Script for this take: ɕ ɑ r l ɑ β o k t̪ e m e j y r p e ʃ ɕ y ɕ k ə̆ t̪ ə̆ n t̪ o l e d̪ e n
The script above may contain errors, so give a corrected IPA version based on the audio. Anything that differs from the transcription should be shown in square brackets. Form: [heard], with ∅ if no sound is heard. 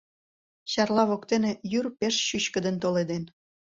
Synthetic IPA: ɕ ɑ r l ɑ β o k t̪ e [n] e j y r p e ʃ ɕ y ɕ k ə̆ [d̪] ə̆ n t̪ o l e d̪ e n

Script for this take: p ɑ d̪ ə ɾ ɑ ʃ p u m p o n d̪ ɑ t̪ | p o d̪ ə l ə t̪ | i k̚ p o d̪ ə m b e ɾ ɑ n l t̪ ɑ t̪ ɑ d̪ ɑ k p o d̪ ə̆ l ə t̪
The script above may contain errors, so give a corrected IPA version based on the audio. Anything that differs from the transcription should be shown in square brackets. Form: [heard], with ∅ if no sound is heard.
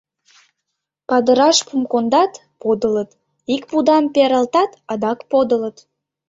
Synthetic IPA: p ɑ d̪ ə ɾ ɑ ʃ p u m [k] o n d̪ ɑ t̪ | p o d̪ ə l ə t̪ | i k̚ p [u] d̪ [ɑ] m [p] e ɾ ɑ [∅] l t̪ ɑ t̪ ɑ d̪ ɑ k p o d̪ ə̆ l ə t̪

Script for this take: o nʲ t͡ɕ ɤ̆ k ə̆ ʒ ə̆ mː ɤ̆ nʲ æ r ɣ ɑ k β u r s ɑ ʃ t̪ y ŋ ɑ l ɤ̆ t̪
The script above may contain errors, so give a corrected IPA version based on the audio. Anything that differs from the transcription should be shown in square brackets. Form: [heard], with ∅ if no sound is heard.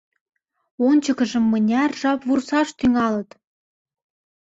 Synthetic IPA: o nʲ t͡ɕ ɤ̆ k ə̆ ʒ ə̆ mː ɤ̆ nʲ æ r [ʒ] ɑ [p] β u r s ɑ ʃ t̪ y ŋ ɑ l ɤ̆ t̪

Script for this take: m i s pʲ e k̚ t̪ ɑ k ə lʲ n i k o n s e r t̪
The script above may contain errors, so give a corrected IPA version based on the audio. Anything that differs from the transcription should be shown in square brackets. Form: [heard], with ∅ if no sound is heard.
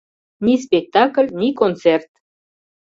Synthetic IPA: [n] i s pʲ e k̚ t̪ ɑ k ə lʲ n i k o n [t͡s] e r t̪

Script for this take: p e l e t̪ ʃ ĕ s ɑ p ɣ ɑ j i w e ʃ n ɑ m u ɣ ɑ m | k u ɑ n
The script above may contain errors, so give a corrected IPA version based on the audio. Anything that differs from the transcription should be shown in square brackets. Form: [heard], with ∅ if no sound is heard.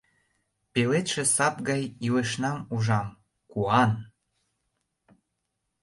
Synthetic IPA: p e l e t̪ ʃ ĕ s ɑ p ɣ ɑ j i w e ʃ n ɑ m u [ʒ] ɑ m | k u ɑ n

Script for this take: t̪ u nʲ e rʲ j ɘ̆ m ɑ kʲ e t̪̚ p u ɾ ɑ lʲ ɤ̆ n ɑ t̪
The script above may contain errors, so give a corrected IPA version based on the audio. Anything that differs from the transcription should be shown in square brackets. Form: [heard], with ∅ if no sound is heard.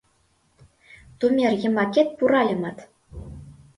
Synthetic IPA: t̪ u [mʲ] e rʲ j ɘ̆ m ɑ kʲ e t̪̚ p u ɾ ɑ lʲ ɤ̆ [m] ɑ t̪

